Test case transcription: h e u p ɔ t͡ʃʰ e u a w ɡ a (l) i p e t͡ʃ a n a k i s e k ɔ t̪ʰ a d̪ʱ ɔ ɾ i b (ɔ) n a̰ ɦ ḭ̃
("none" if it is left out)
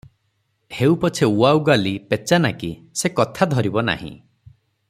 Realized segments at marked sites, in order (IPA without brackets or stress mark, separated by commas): l, ɔ